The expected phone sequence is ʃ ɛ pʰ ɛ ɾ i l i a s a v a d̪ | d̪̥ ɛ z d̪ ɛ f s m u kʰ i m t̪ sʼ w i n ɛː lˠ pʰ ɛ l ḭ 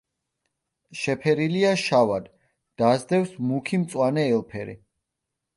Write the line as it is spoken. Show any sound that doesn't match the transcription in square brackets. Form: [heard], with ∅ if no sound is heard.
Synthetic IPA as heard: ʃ ɛ pʰ ɛ ɾ i l i a [ʃ] a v a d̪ | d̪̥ [a] z d̪ ɛ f s m u kʰ i m t̪ sʼ w [a] n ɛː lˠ pʰ ɛ [ɾ] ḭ

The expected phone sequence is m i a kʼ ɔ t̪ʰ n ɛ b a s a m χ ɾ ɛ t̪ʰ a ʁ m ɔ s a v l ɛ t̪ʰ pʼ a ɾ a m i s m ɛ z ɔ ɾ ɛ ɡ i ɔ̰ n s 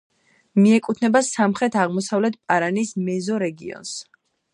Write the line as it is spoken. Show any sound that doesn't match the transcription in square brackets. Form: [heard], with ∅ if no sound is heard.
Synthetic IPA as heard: m i [ɛ] kʼ [u] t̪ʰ n ɛ b a s a m χ ɾ ɛ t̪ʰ a ʁ m ɔ s a v l ɛ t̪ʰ pʼ a ɾ a [n] i s m ɛ z ɔ ɾ ɛ ɡ i ɔ̰ n s

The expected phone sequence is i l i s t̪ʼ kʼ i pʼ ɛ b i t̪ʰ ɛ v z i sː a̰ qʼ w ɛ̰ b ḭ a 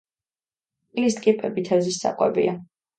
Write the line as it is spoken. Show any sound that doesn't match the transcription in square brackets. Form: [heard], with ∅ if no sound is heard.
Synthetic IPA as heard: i l i s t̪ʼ kʼ i pʼ ɛ b i t̪ʰ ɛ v z i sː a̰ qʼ w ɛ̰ b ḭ a

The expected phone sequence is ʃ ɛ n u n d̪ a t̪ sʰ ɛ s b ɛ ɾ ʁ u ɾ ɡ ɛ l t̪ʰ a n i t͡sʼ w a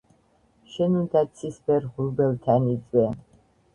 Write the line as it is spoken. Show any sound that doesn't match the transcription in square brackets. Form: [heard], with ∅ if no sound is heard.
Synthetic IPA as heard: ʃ ɛ n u n d̪ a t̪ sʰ [i] s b ɛ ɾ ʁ u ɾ [b] ɛ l t̪ʰ a n i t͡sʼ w [ɛ]

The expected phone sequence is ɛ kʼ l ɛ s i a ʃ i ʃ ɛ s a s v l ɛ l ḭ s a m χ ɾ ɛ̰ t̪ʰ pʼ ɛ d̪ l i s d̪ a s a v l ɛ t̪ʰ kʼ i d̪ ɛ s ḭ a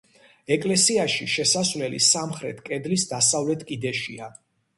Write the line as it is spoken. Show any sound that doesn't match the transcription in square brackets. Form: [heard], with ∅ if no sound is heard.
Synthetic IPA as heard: ɛ kʼ l ɛ s i a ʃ i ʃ ɛ s a s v l ɛ l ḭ s a m χ ɾ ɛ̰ t̪ʰ [kʼ] ɛ d̪ l i s d̪ a s a v l ɛ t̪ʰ kʼ i d̪ ɛ [ʃ] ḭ a

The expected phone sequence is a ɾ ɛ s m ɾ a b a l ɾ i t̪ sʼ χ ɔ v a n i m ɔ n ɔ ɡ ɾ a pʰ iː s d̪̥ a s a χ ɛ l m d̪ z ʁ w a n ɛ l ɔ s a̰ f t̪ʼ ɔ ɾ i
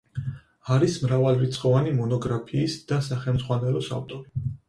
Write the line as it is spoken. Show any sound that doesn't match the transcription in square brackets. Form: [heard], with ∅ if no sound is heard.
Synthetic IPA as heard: a ɾ [i] s m ɾ a [v] a l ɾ i t̪ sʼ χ ɔ v a n i m ɔ n ɔ ɡ ɾ a pʰ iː s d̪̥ a s a χ ɛ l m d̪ z ʁ w a n ɛ l ɔ s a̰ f t̪ʼ ɔ ɾ i

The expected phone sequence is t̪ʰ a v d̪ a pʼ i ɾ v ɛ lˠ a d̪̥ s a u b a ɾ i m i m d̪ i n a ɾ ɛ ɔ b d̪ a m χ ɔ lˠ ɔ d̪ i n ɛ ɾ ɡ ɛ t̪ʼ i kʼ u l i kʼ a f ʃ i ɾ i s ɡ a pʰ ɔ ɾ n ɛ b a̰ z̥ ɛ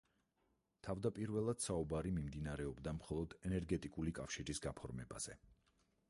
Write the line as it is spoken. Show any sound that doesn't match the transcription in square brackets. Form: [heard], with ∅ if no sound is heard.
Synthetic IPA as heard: t̪ʰ a v d̪ a pʼ i ɾ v ɛ lˠ a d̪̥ s a u b a ɾ i m i m d̪ i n a ɾ ɛ ɔ b d̪ a m χ ɔ lˠ ɔ d̪ [ɛ] n ɛ ɾ ɡ ɛ t̪ʼ i kʼ u l i kʼ a f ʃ i ɾ i s ɡ a pʰ ɔ ɾ [m] ɛ b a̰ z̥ ɛ

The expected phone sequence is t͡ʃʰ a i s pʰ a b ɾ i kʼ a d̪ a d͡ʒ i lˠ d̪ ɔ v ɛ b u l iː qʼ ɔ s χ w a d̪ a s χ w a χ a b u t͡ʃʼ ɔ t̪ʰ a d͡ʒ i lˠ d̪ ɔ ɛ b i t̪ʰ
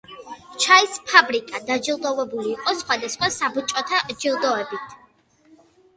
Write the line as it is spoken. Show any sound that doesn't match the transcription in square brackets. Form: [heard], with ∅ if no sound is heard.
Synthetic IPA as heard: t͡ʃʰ a i s pʰ a b ɾ i kʼ a d̪ a d͡ʒ i lˠ d̪ ɔ v ɛ b u l iː qʼ ɔ s χ w a d̪ a s χ w a [s] a b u t͡ʃʼ ɔ t̪ʰ a d͡ʒ i lˠ d̪ ɔ ɛ b i t̪ʰ

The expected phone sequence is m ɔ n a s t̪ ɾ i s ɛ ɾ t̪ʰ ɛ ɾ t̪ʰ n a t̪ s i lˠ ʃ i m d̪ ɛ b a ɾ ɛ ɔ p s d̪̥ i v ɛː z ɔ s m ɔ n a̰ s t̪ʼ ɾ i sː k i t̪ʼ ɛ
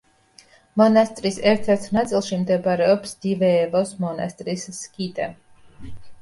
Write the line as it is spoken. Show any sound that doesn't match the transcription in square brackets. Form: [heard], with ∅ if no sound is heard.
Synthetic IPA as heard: m ɔ n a s t̪ ɾ i s ɛ ɾ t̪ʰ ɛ ɾ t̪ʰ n a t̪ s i lˠ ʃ i m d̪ ɛ b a ɾ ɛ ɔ p s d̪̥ i v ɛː [v] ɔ s m ɔ n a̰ s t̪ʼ ɾ i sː k i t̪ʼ ɛ

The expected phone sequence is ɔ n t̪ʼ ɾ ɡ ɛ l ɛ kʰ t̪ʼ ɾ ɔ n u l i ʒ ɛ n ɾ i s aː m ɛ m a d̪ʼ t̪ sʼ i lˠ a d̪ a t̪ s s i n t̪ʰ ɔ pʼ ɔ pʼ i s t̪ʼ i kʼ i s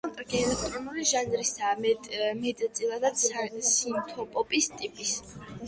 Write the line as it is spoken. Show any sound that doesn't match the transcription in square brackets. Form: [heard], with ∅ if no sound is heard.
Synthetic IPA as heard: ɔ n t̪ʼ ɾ ɡ ɛ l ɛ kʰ t̪ʼ ɾ ɔ n u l i ʒ [a] n ɾ i s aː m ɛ m [ɛ] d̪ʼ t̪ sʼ i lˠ a d̪ a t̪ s s i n t̪ʰ ɔ pʼ ɔ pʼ i s t̪ʼ i [pʼ] i s

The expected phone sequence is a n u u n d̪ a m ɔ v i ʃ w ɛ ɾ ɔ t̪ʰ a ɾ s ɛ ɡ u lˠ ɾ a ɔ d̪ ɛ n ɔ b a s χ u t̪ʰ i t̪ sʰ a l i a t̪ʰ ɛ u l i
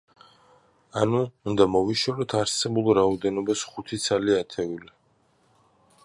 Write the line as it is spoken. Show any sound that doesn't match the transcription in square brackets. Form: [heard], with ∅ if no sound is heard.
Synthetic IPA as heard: a n u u n d̪ a m ɔ v i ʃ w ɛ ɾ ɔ t̪ʰ a ɾ s ɛ [b] u lˠ ɾ a ɔ d̪ ɛ n ɔ b a s χ u t̪ʰ i t̪ sʰ a l i a t̪ʰ ɛ u l i

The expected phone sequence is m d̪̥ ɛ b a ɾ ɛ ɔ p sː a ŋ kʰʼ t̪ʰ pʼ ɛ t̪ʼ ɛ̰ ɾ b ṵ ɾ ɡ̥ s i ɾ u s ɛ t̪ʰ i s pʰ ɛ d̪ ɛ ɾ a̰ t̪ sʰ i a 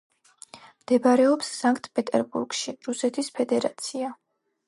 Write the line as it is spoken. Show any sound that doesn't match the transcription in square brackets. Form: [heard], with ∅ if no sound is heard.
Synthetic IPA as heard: m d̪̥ ɛ b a ɾ ɛ ɔ p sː a ŋ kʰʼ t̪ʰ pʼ ɛ t̪ʼ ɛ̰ ɾ b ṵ ɾ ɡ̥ [ʃ] i ɾ u s ɛ t̪ʰ i s pʰ ɛ d̪ ɛ ɾ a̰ t̪ sʰ i a

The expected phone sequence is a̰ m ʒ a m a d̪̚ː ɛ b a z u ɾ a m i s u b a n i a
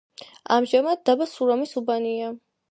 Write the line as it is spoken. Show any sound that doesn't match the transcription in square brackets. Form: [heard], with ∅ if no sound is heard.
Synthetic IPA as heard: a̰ m ʒ a m a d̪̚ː [a] b a [s] u ɾ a m i s u b a n i a

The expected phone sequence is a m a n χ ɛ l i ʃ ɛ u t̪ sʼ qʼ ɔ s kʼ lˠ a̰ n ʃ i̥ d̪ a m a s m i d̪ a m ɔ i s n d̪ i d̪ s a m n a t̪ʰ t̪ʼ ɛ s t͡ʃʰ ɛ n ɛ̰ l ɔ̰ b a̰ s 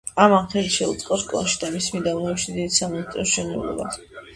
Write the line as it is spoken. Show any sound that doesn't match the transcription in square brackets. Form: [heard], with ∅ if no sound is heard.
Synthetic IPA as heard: a m a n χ ɛ l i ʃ ɛ u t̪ sʼ qʼ ɔ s kʼ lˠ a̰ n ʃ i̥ d̪ a m [i] s m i d̪ a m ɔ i [ʃ] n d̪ i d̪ s a m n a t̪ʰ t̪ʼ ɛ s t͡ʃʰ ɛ n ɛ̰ l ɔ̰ b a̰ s

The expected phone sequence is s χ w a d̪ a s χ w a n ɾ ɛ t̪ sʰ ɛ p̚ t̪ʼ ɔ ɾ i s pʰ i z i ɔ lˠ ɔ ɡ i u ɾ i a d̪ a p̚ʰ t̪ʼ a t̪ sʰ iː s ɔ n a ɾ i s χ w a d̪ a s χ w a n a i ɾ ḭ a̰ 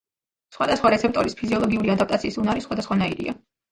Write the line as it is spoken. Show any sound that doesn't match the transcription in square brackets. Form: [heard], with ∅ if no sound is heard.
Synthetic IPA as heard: s χ w a d̪ a s χ w a [∅] ɾ ɛ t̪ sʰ ɛ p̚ t̪ʼ ɔ ɾ i s pʰ i z i ɔ lˠ ɔ ɡ i u ɾ i a d̪ a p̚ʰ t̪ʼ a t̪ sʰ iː s [u] n a ɾ i s χ w a d̪ a s χ w a n a i ɾ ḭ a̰

